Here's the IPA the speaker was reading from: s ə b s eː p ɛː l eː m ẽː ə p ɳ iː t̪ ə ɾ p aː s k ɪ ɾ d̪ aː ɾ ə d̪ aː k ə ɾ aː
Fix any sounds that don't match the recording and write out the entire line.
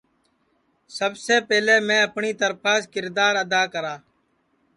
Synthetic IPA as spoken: s ə b s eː p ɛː l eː m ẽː ə p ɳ iː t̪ ə ɾ p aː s k ɪ ɾ d̪ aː ɾ ə d̪ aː k ə ɾ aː

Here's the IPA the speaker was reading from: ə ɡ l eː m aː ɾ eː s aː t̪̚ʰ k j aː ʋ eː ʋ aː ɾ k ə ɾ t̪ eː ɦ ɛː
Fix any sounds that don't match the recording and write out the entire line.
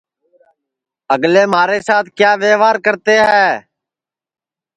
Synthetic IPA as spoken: ə ɡ l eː m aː ɾ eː s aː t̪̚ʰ k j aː ʋ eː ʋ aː ɾ k ə ɾ t̪ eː ɦ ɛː

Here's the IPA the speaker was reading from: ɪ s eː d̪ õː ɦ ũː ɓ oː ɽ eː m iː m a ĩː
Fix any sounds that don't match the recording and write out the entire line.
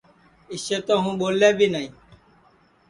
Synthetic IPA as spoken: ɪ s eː t̪ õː ɦ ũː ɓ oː l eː b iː n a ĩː

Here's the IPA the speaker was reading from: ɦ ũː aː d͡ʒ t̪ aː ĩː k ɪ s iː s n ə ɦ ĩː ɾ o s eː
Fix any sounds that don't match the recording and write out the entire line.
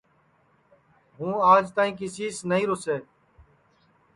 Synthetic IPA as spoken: ɦ ũː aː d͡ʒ t̪ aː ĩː k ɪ s iː s n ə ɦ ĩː ɾ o s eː

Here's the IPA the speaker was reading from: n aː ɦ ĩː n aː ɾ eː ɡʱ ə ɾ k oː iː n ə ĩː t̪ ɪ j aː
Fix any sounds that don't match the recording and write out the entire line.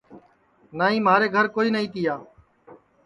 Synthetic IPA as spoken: n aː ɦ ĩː m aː ɾ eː ɡʱ ə ɾ k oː iː n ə ĩː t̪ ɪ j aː

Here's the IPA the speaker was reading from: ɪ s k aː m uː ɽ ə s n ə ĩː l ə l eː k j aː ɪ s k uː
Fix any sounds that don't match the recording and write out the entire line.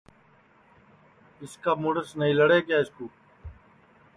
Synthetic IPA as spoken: ɪ s k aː m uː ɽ ə s n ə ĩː l ə ɽ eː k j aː ɪ s k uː

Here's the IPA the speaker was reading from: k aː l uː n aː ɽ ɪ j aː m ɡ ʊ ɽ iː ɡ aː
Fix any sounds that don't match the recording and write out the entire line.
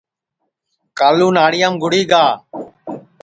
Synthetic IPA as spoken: k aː l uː n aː ɽ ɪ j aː m ɡ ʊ ɽ iː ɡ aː

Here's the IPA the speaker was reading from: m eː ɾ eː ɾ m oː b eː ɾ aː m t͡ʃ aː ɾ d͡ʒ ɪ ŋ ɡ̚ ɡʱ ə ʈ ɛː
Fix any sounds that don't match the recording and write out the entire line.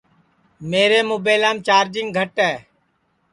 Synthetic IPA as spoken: m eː ɾ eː m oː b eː l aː m t͡ʃ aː ɾ d͡ʒ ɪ ŋ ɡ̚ ɡʱ ə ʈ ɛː

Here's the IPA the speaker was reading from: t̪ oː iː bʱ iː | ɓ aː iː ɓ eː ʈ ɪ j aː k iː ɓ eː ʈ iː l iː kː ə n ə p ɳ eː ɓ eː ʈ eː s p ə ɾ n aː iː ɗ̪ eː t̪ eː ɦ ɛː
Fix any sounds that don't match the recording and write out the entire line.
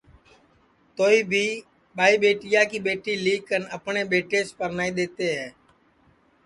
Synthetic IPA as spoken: t̪ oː iː bʱ iː | ɓ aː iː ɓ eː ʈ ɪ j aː k iː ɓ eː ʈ iː l iː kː ə n ə p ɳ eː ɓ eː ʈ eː s p ə ɾ n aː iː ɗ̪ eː t̪ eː ɦ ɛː

